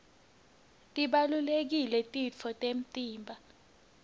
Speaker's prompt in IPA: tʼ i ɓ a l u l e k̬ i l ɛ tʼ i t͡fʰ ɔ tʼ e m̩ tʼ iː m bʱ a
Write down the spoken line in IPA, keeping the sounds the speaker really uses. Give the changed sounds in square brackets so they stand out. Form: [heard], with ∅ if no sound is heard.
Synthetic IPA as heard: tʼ i ɓ a l u l e k̬ i l ɛ tʼ i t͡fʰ ɔ tʼ e m̩ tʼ iː m bʱ a